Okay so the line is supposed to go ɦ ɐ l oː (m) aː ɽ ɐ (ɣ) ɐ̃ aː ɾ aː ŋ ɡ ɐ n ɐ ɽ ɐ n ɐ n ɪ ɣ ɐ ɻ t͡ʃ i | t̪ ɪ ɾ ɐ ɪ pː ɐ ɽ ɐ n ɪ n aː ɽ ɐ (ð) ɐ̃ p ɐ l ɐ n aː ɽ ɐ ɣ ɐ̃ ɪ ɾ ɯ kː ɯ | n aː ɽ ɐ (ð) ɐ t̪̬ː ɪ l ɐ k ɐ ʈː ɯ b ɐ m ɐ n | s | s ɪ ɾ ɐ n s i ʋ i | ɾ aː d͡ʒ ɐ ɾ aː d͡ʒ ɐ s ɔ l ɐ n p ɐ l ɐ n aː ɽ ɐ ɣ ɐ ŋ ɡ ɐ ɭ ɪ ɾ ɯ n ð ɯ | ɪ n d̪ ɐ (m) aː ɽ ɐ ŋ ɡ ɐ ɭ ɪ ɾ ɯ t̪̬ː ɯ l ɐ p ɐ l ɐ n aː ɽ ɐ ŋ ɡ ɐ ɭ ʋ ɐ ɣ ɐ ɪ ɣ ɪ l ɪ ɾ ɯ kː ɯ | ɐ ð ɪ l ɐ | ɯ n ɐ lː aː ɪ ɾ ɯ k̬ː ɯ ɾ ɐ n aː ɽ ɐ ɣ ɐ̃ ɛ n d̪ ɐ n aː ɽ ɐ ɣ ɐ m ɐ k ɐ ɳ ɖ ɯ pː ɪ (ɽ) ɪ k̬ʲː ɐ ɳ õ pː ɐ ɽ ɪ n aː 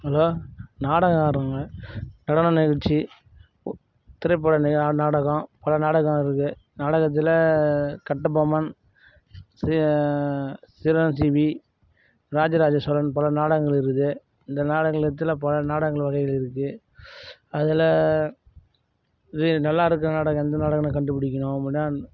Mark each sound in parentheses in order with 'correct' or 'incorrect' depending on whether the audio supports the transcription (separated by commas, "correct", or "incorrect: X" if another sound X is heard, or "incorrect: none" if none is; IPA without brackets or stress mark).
incorrect: n, correct, incorrect: ɣ, incorrect: ɣ, incorrect: n, correct